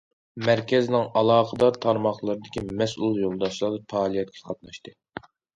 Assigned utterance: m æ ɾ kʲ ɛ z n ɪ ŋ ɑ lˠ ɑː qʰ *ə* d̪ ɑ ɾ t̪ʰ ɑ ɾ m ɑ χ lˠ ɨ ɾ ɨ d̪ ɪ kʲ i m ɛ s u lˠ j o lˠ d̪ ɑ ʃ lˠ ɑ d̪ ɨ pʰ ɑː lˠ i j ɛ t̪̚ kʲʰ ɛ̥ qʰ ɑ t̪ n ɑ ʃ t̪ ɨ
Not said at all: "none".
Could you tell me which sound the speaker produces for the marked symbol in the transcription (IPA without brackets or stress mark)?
ə